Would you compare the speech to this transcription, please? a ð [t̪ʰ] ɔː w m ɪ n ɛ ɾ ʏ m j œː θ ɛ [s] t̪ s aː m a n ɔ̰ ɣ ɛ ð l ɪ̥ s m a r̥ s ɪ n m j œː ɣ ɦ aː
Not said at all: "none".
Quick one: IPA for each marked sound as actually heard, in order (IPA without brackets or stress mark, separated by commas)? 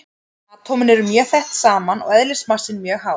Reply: t̪ʰ, h